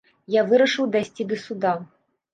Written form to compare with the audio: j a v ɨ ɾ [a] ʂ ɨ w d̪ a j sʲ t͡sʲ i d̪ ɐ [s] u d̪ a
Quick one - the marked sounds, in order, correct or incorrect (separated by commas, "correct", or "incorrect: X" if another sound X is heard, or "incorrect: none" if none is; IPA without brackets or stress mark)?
incorrect: ɐ, correct